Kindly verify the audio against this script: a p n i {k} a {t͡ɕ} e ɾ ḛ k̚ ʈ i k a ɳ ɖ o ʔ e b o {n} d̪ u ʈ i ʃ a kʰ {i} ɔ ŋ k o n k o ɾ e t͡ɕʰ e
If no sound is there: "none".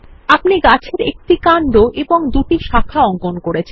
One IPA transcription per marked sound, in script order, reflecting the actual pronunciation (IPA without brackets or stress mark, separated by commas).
ɡ, t͡ɕʰ, ŋ, a